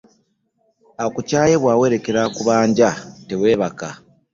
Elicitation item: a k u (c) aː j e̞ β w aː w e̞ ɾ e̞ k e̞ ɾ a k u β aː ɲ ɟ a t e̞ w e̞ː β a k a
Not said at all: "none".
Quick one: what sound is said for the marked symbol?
c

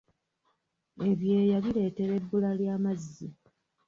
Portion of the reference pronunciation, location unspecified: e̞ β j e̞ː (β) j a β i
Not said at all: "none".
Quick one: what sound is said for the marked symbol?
none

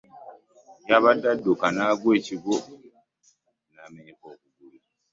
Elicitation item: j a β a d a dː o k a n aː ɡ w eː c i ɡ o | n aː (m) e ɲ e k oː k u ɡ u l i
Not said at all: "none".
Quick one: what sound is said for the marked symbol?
m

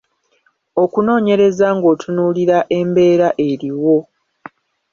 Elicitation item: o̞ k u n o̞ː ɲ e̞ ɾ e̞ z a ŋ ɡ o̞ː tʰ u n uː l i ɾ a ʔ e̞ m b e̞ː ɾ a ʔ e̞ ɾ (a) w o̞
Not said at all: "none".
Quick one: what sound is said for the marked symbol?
i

